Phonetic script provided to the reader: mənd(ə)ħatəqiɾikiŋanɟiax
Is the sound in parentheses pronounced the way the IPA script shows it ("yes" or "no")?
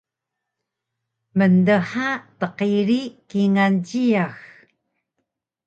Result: yes